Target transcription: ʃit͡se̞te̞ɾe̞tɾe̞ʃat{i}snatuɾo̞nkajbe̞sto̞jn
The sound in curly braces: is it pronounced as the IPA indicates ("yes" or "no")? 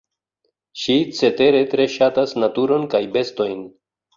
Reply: no